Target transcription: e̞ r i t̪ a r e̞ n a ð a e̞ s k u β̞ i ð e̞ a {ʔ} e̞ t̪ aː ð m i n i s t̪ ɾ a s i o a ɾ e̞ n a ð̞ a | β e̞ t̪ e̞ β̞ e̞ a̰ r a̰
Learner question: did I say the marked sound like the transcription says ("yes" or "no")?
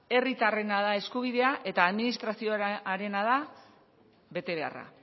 yes